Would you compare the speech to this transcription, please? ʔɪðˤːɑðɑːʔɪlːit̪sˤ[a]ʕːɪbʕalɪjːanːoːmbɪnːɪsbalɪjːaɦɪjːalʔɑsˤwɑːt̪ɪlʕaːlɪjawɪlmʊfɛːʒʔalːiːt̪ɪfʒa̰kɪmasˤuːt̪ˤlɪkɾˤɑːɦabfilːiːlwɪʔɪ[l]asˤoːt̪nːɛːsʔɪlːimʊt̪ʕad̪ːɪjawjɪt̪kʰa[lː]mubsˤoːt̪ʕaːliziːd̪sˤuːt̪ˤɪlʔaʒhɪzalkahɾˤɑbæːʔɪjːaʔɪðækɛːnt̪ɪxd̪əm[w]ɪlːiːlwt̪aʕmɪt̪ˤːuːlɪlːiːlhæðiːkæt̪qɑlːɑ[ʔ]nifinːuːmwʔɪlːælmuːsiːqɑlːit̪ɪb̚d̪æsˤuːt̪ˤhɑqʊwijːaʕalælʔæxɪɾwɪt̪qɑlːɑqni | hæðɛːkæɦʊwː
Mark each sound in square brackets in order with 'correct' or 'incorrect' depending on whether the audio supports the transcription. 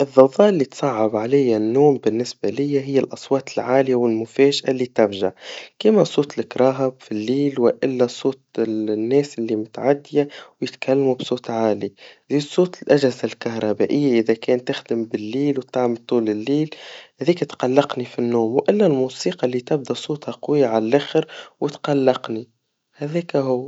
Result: incorrect: ɑ, incorrect: lː, correct, incorrect: b, incorrect: q

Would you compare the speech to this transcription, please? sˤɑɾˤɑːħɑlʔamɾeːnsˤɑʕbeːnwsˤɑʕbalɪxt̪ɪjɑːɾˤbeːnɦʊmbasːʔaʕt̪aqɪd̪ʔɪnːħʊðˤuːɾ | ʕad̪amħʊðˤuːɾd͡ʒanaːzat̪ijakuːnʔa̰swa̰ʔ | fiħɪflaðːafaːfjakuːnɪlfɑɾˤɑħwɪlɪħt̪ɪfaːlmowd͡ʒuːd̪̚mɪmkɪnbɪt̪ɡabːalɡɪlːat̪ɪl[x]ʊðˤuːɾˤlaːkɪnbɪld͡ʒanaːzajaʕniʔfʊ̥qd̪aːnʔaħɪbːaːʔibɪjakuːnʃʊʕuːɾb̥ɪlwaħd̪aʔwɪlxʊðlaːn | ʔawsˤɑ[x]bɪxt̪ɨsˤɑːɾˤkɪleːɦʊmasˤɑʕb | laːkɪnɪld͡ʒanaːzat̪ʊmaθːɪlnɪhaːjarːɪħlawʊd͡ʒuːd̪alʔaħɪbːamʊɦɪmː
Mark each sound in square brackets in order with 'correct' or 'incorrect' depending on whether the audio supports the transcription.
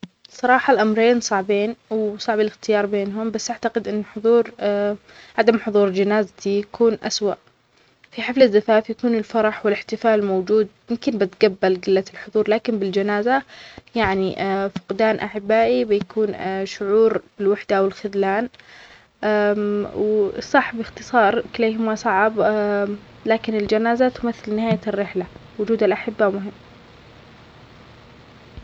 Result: incorrect: ħ, incorrect: ħ

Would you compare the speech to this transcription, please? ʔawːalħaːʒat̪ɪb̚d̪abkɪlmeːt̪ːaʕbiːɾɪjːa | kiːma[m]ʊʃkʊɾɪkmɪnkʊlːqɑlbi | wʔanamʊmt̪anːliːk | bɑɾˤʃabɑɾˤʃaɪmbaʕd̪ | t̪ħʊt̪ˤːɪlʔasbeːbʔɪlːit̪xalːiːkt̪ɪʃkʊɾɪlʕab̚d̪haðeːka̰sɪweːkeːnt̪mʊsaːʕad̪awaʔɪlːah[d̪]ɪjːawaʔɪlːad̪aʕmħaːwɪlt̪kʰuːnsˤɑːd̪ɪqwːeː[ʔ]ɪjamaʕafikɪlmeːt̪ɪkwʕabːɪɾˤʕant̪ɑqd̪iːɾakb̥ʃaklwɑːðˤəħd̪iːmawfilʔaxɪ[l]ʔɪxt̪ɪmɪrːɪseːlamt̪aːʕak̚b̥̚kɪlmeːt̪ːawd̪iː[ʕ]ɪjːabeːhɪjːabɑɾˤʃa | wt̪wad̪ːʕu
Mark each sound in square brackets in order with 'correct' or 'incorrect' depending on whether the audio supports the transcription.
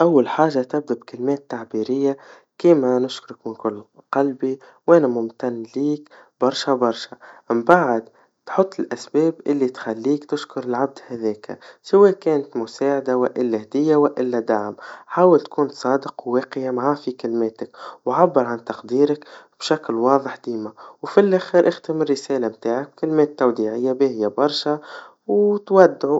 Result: incorrect: n, correct, incorrect: q, incorrect: ɾ, correct

